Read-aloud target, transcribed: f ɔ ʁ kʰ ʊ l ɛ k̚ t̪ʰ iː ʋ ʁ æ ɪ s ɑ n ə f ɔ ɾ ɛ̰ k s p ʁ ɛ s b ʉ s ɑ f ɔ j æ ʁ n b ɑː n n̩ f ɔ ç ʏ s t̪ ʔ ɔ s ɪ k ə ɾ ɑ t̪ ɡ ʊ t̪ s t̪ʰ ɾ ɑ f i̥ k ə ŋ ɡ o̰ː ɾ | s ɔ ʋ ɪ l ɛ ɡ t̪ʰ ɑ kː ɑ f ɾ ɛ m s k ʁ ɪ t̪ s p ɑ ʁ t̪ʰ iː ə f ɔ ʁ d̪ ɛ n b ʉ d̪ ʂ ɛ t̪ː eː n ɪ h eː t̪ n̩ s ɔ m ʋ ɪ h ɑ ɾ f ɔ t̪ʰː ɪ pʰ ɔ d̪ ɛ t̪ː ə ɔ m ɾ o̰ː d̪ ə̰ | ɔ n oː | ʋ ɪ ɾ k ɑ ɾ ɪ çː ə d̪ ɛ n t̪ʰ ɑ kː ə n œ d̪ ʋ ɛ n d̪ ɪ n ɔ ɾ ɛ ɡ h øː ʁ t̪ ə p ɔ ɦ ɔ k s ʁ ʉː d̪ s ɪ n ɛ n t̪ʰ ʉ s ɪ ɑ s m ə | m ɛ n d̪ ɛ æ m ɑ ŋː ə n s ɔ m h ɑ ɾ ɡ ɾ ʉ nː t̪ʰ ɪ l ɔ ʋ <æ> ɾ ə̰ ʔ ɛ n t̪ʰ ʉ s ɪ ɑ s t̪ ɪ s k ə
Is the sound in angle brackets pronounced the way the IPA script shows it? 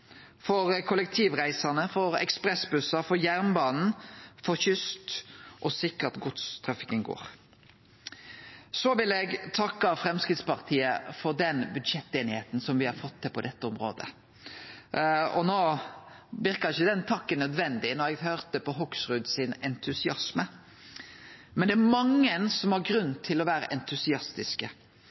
no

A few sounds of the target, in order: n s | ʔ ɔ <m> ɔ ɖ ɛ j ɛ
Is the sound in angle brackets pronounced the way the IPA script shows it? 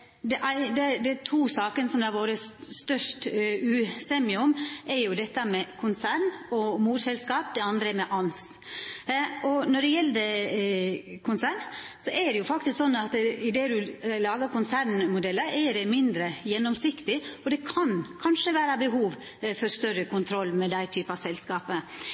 no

